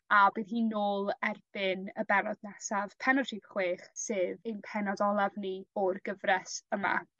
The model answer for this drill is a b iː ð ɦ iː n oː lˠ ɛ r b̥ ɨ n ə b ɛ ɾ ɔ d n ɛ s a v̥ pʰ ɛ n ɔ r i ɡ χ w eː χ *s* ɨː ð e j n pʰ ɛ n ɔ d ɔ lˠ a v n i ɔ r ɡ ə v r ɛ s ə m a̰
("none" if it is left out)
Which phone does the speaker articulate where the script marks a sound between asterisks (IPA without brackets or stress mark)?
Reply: s